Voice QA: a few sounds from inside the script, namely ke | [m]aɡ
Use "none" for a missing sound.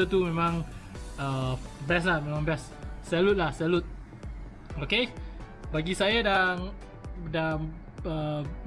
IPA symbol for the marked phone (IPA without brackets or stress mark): b